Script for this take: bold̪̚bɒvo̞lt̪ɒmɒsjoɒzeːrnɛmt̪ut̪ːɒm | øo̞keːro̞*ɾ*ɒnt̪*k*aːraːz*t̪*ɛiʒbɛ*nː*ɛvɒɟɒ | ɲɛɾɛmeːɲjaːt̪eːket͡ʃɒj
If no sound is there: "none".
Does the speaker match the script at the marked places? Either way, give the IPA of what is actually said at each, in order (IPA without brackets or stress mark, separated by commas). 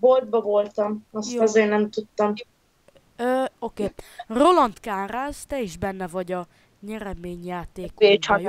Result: l, k, t̪, nː